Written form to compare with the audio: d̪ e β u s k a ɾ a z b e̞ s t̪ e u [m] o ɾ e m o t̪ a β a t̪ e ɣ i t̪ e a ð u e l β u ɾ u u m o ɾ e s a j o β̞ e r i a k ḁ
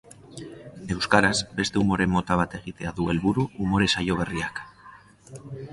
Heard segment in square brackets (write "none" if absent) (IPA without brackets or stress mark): m